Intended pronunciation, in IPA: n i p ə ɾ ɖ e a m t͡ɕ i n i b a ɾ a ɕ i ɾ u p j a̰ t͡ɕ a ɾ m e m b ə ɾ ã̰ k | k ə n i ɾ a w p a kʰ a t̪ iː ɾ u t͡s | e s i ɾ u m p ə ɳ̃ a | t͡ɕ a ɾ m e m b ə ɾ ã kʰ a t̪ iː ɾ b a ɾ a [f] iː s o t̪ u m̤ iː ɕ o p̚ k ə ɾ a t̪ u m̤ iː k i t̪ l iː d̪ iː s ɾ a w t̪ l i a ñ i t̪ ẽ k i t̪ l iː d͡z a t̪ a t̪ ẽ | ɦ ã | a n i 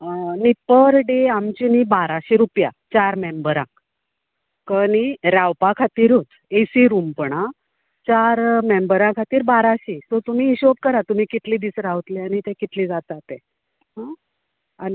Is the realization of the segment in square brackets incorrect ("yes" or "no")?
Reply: yes